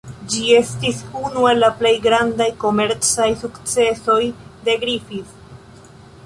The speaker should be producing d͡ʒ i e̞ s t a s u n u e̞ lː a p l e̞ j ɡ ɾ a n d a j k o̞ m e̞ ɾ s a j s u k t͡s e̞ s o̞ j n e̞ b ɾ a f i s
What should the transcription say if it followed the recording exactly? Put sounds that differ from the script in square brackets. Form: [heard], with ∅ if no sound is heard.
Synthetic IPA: d͡ʒ i e̞ s t [i] s u n u e̞ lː a p l e̞ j ɡ ɾ a n d a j k o̞ m e̞ ɾ [t͡s] a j s u k t͡s e̞ s o̞ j [d] e̞ [ɡ] ɾ [i] f i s